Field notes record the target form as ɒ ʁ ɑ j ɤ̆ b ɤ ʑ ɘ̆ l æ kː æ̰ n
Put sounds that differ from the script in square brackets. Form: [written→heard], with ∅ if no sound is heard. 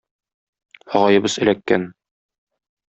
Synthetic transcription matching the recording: ɒ ʁ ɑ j ɤ̆ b ɤ [ʑ→z] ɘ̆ l æ kː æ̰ n